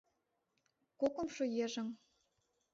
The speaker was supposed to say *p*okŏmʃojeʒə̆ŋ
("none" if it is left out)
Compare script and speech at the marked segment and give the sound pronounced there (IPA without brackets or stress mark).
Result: k